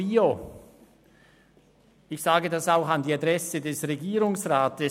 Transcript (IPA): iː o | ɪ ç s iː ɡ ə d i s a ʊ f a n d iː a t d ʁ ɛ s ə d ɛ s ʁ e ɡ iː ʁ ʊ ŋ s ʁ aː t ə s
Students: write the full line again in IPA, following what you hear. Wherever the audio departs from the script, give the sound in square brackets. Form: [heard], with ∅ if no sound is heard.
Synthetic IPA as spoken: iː o | ɪ ç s [aː] ɡ ə d [a] s a ʊ [x] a n d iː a [∅] d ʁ ɛ s ə d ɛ s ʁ e ɡ iː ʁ ʊ ŋ s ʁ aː t ə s